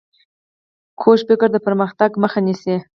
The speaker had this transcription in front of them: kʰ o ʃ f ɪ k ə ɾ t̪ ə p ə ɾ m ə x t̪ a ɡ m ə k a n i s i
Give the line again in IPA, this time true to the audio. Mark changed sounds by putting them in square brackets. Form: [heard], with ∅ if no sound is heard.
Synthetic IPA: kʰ o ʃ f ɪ k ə ɾ [d̪] ə p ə ɾ m ə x t̪ a ɡ m ə [x] a n i s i